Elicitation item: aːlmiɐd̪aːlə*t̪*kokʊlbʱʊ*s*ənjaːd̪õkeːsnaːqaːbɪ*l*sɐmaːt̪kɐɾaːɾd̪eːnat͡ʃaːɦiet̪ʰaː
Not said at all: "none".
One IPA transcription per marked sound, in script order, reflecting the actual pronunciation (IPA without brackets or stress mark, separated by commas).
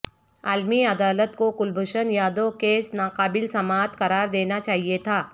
t̪, ʃ, l